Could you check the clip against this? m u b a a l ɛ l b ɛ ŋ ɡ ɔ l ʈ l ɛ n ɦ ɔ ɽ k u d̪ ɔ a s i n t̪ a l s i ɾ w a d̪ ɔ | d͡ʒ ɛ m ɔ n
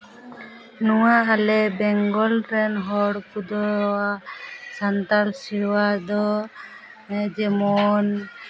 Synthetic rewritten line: n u w a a l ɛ b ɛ ŋ ɡ ɔ l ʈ ɾ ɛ n ɦ ɔ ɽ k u d̪ ɔ a s a n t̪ a l s i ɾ w a d̪ ɔ | d͡ʒ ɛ m ɔ n